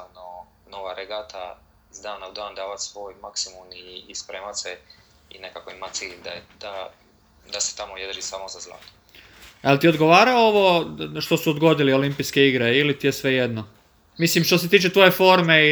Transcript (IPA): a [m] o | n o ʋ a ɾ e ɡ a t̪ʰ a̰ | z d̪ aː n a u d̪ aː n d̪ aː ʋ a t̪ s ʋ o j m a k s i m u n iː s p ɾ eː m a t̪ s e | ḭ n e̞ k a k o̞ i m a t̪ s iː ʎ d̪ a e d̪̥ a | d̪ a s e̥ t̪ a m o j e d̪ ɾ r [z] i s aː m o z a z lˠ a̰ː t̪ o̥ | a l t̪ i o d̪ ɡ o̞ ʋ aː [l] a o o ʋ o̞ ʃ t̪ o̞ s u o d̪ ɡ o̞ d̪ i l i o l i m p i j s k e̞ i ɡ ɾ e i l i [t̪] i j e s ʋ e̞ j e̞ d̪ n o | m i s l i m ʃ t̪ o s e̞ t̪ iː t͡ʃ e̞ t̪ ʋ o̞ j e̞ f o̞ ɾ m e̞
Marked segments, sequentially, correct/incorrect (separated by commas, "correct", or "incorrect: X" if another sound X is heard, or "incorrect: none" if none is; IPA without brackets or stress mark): incorrect: n, incorrect: ʒ, incorrect: ɾ, correct